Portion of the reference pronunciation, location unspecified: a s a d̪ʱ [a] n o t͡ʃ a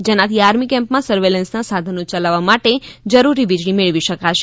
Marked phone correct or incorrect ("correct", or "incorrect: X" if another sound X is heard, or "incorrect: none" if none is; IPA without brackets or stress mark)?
incorrect: ə